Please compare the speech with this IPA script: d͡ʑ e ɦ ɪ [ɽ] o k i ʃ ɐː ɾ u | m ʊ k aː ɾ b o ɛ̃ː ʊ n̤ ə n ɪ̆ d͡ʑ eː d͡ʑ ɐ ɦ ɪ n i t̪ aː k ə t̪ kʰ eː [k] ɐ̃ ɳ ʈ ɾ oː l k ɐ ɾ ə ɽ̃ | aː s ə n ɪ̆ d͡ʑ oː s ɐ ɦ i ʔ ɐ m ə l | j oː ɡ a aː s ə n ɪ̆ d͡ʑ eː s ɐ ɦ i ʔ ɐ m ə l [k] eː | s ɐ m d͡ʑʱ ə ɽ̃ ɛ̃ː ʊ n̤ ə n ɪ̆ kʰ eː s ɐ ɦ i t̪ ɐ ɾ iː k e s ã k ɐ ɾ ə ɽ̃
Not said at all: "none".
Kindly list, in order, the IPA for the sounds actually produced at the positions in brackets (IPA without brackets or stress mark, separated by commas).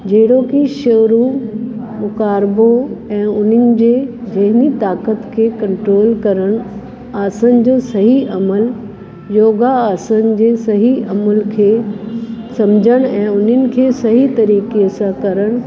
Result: ɽ, k, kʰ